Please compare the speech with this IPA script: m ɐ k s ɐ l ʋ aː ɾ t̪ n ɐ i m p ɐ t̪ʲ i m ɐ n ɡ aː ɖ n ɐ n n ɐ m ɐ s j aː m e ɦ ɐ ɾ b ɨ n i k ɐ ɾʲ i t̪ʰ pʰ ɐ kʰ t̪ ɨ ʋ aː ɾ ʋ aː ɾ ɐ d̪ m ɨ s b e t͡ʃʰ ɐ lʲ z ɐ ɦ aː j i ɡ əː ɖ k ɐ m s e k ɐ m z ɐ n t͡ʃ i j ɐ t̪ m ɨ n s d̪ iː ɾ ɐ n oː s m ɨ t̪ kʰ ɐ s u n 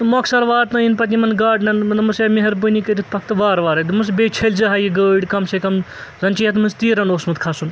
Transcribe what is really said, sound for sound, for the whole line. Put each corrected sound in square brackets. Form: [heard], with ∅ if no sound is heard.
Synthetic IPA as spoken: m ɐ k s ɐ [ɾ] ʋ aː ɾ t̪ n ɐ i [n] p ɐ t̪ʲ i m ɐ n ɡ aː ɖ n ɐ n n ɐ m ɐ s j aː m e ɦ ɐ ɾ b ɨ n i k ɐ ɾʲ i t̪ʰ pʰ ɐ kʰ t̪ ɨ ʋ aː ɾ ʋ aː ɾ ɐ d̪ m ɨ s b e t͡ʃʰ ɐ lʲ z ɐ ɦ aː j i ɡ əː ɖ k ɐ m s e k ɐ m z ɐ n t͡ʃ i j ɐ t̪ m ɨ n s [t̪] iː ɾ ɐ n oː s m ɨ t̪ kʰ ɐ s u n